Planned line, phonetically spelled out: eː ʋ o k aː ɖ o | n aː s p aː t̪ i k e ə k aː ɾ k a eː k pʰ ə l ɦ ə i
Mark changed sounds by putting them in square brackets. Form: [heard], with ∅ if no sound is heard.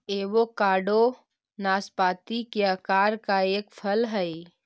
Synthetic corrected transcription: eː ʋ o k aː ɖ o | n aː s p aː t̪ i k e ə k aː ɾ k a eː k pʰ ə l ɦ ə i